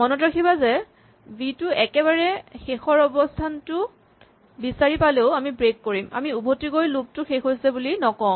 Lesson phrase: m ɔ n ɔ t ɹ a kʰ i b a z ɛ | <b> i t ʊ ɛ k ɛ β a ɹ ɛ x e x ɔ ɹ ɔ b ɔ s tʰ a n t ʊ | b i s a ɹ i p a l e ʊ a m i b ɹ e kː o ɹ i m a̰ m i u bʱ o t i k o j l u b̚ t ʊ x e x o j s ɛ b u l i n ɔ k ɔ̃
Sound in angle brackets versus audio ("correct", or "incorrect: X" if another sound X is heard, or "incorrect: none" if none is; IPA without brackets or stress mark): correct